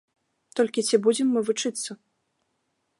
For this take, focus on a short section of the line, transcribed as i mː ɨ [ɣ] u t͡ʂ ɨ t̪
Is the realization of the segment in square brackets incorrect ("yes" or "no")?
yes